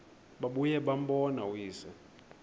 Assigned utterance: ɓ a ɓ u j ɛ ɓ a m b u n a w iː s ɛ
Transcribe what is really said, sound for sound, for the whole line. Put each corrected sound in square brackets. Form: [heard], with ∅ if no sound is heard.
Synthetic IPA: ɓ a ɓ u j ɛ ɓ a m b [ɔ] n a w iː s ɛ

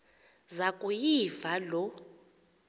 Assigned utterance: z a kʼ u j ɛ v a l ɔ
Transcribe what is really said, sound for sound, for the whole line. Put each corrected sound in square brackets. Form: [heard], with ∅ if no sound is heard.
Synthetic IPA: z a kʼ u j [i] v a l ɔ

